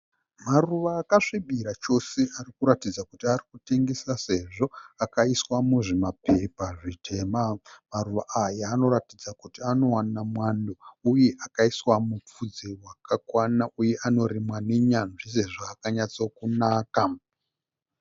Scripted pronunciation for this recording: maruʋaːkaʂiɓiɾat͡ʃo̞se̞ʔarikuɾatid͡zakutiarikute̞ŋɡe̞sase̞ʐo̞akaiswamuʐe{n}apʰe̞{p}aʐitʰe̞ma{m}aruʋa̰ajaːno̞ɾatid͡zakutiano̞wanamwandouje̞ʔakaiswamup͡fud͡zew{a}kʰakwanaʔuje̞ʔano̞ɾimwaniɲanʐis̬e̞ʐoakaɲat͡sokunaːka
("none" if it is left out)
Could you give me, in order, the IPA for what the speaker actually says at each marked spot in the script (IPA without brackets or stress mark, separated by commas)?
m, p, m, a